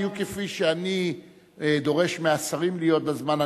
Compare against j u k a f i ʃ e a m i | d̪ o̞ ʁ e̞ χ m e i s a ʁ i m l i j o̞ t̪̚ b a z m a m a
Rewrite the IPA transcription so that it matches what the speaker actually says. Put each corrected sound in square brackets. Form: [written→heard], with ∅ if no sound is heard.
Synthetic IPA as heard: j u k [a→e] f i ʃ e a [m→n] i | d̪ o̞ ʁ e̞ [χ→ʃ] m e [i→a] s a ʁ i m l i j o̞ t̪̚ b a z m a [m→n] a